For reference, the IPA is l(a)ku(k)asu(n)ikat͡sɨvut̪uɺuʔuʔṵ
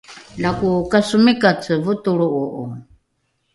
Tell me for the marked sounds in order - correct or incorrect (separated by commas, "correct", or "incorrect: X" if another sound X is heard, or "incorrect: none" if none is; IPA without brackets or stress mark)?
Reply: correct, correct, incorrect: m